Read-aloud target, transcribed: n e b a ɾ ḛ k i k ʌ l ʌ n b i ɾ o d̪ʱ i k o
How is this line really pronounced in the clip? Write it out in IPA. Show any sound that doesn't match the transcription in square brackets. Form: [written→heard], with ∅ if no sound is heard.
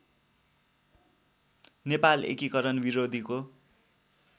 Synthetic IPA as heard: n e [b→p] a [ɾ→l] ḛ k i k ʌ [l→ɾ] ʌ n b i ɾ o d̪ʱ i k o